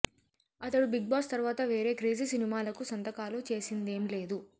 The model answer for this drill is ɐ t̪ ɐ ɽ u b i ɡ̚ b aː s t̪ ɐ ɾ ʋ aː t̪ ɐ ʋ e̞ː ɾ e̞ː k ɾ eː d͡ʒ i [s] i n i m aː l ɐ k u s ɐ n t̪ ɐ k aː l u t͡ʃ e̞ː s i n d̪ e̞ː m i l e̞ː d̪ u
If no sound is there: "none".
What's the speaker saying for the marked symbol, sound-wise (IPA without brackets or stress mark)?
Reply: s